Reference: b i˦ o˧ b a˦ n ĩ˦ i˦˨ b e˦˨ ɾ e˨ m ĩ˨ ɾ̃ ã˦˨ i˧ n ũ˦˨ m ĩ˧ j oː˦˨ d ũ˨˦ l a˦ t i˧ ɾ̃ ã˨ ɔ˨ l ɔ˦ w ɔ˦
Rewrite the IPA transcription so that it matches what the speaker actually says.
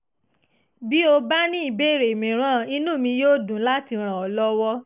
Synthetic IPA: b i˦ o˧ b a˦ n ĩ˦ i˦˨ b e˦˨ ɾ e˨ m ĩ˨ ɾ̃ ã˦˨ i˧ n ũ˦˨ m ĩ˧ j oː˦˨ d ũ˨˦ l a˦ t i˧ ɾ̃ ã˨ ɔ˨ l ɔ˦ w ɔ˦